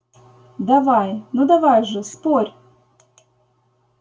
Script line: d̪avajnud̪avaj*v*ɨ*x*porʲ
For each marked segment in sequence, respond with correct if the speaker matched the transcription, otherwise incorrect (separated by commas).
incorrect, incorrect